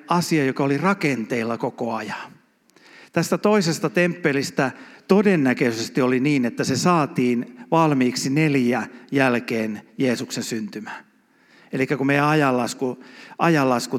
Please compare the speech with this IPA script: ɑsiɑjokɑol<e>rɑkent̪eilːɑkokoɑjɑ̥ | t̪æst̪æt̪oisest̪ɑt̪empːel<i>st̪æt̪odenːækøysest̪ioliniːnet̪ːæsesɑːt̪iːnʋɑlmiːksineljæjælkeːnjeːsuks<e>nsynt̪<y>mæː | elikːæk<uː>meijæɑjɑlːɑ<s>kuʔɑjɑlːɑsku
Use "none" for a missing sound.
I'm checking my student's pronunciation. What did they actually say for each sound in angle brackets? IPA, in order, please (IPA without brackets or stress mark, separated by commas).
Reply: i, i, e, y, u, s